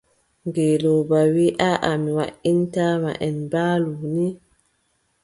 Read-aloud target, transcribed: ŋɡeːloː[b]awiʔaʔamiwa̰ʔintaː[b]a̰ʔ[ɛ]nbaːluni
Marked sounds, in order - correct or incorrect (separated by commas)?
correct, incorrect, correct